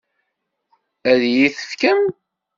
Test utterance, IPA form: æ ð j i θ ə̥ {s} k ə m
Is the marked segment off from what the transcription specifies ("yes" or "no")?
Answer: yes